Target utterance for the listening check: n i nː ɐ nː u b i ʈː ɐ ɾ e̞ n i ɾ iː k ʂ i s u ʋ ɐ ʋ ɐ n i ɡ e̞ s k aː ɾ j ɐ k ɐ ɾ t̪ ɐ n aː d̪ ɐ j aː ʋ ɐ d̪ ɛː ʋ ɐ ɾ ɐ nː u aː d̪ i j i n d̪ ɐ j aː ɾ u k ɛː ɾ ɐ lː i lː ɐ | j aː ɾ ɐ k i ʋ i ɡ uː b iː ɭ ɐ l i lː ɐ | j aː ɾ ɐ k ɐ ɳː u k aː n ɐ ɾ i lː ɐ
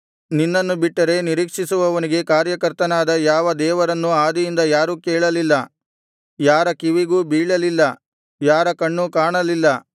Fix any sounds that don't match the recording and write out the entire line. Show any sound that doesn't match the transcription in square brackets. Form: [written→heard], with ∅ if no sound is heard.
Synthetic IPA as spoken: n i nː ɐ nː u b i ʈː ɐ ɾ e̞ n i ɾ iː k ʂ i s u ʋ ɐ ʋ ɐ n i ɡ e̞ [s→∅] k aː ɾ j ɐ k ɐ ɾ t̪ ɐ n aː d̪ ɐ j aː ʋ ɐ d̪ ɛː ʋ ɐ ɾ ɐ nː u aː d̪ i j i n d̪ ɐ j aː ɾ u k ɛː [ɾ→ɭ] ɐ [lː→l] i lː ɐ | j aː ɾ ɐ k i ʋ i ɡ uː b iː ɭ ɐ l i lː ɐ | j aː ɾ ɐ k ɐ ɳː u k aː [n→ɳ] ɐ [ɾ→l] i lː ɐ